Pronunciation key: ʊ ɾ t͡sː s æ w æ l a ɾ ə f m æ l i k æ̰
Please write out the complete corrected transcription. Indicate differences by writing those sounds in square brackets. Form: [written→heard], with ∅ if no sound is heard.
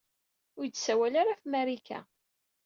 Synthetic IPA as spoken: ʊ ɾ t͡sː s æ w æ l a ɾ [ə→a] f m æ [l→ɾ] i k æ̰